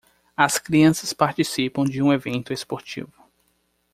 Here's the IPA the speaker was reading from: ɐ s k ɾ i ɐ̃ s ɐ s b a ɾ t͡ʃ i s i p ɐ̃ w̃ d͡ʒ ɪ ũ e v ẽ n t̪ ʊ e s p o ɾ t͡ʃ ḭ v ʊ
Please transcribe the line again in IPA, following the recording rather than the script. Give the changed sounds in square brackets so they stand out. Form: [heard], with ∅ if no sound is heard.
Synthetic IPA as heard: ɐ s k ɾ i ɐ̃ s ɐ s [p] a ɾ t͡ʃ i s i p ɐ̃ w̃ d͡ʒ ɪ ũ e v ẽ n t̪ ʊ e s p o ɾ t͡ʃ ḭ v ʊ